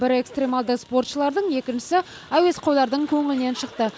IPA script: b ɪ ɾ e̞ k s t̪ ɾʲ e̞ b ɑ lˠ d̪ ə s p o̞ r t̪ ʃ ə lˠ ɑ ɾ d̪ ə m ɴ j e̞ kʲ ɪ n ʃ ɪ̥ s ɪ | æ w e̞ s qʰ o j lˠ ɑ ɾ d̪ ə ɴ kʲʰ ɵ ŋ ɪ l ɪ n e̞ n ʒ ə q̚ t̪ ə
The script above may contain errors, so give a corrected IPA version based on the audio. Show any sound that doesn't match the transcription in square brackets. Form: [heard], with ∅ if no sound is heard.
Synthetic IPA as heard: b ɪ ɾ e̞ k s t̪ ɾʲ e̞ [m] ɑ lˠ d̪ ə s p o̞ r t̪ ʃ ə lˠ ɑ ɾ d̪ ə [∅] ɴ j e̞ kʲ ɪ n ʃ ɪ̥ s ɪ | æ w e̞ s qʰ o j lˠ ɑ ɾ d̪ ə ɴ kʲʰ ɵ ŋ ɪ l ɪ n e̞ n [ʃ] ə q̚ t̪ ə